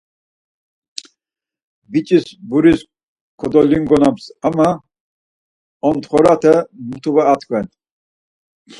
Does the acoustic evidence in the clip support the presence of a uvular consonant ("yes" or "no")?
yes